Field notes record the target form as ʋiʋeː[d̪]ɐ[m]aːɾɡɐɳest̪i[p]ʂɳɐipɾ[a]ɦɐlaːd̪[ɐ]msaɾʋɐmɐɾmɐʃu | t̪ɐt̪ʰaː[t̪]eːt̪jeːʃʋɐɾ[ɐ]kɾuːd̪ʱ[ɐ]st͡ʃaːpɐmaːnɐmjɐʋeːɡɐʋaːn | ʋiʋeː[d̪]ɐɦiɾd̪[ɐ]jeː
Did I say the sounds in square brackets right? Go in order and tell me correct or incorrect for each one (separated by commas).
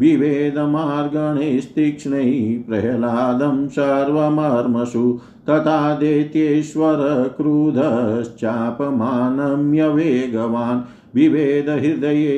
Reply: correct, correct, incorrect, incorrect, correct, incorrect, correct, correct, correct, correct